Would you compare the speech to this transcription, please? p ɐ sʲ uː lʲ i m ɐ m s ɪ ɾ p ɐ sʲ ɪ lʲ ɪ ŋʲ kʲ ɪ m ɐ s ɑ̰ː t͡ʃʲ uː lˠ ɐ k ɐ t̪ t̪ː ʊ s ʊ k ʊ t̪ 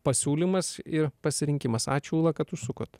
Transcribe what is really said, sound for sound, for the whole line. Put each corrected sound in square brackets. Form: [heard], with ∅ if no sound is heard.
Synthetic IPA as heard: p ɐ sʲ uː lʲ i m ɐ [∅] s ɪ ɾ p ɐ sʲ ɪ [ɾʲ] ɪ ŋʲ kʲ ɪ m ɐ s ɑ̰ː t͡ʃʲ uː lˠ ɐ k ɐ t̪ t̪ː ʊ s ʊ k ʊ t̪